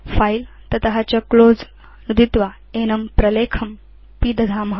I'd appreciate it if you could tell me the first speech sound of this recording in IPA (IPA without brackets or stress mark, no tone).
f